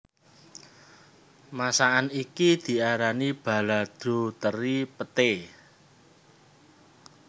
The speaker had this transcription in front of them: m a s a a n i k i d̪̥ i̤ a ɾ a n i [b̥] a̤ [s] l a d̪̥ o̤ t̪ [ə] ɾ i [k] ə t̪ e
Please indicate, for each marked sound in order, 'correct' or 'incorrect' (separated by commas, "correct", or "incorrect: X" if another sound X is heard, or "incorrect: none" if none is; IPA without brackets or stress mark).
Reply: correct, incorrect: none, correct, incorrect: p